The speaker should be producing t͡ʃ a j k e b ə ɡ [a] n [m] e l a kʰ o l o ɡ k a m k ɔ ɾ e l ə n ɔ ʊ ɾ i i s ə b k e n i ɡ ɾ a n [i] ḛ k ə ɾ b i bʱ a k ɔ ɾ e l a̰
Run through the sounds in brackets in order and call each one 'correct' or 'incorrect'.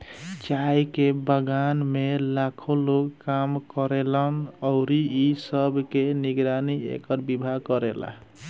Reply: correct, correct, correct

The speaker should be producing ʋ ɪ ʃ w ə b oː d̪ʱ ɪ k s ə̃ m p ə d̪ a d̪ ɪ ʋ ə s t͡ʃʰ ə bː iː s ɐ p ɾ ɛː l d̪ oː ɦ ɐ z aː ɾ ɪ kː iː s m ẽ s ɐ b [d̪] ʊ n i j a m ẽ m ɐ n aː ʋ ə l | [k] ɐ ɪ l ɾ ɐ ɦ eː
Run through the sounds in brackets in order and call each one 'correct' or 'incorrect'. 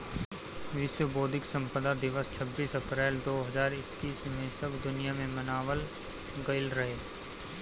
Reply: correct, incorrect

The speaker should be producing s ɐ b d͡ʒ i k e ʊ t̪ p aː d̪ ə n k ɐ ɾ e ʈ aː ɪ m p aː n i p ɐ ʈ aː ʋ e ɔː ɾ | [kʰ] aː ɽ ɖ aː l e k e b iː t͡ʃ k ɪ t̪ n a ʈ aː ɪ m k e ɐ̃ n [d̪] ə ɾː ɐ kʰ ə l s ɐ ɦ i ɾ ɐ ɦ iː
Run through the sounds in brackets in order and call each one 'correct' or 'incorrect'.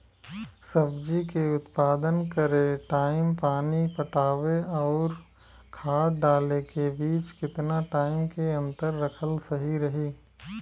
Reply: correct, incorrect

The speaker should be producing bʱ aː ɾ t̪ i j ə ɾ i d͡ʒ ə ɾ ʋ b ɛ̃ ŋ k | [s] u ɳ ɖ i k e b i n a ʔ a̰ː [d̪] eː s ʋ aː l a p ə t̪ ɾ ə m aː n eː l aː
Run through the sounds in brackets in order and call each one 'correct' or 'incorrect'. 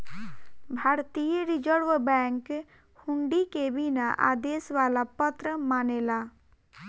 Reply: incorrect, correct

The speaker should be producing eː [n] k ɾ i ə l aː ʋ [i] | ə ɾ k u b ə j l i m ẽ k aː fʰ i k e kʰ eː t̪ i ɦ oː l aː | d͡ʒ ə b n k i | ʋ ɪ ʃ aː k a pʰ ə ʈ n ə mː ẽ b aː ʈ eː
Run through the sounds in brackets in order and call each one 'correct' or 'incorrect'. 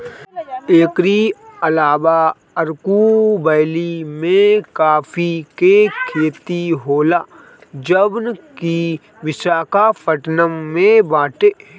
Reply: incorrect, incorrect

